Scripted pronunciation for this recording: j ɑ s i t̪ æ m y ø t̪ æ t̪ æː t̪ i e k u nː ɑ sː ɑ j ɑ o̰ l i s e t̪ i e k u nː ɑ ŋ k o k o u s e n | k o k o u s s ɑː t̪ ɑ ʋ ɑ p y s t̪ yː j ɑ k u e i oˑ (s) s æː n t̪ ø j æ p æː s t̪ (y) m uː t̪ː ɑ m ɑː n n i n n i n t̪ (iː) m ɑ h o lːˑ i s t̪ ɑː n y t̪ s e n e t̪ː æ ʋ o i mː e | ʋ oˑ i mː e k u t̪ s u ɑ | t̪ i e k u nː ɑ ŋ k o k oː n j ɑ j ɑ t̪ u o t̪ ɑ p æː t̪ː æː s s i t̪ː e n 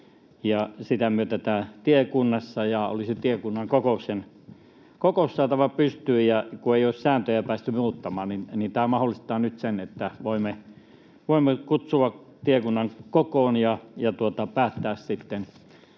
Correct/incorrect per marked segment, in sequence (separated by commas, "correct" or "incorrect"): correct, correct, incorrect